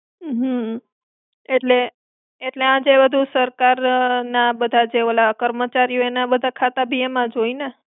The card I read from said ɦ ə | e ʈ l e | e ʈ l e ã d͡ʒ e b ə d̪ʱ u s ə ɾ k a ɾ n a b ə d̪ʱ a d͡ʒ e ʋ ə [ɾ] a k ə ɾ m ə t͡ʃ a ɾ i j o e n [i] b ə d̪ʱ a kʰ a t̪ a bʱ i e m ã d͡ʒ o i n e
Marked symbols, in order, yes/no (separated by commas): no, no